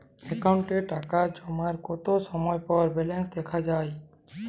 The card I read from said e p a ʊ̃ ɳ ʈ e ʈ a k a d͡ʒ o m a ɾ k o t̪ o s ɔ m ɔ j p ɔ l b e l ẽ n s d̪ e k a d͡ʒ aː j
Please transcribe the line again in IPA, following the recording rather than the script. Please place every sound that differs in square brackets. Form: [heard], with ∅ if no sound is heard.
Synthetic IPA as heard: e [k] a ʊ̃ ɳ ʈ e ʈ a k a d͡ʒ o m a ɾ k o t̪ o s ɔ m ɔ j p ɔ [ɾ] b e l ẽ n s d̪ e [kʰ] a d͡ʒ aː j